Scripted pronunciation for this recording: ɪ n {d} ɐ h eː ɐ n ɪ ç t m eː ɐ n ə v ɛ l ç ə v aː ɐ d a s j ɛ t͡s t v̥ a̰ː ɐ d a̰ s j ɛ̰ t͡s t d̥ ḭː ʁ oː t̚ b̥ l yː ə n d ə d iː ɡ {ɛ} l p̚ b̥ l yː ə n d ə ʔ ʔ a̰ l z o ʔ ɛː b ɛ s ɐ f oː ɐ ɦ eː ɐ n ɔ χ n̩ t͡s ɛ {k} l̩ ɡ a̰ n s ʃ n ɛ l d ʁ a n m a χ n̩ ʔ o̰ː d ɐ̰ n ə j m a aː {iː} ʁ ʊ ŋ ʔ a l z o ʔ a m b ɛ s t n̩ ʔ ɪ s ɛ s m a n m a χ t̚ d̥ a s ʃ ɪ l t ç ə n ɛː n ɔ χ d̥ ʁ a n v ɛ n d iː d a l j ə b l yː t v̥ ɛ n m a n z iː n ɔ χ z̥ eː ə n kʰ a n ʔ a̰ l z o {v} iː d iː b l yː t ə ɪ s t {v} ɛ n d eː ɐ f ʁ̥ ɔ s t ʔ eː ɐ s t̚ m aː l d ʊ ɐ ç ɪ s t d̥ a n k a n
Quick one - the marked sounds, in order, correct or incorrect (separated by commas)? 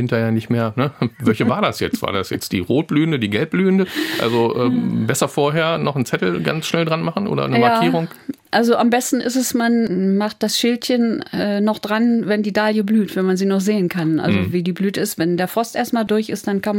incorrect, correct, incorrect, correct, correct, correct